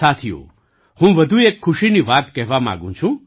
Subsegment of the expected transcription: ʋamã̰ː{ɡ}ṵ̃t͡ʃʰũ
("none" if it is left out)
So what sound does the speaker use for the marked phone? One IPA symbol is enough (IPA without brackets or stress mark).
ɡ